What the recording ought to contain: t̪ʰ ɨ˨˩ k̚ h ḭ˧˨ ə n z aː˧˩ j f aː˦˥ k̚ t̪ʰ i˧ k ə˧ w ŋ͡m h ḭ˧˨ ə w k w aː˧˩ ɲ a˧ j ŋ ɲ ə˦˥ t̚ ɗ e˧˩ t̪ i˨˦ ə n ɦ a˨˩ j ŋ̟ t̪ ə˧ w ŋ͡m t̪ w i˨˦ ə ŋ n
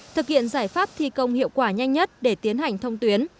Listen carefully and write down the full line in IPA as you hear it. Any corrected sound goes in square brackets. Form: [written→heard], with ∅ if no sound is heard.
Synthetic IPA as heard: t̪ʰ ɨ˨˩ k̚ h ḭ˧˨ ə n z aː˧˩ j f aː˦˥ [k̚→p̚] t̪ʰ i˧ k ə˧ w ŋ͡m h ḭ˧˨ ə w k w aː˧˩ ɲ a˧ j ŋ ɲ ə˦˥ t̚ ɗ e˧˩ t̪ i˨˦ ə n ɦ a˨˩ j ŋ̟ [t̪→t̪ʰ] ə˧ w ŋ͡m t̪ w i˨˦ ə [ŋ→∅] n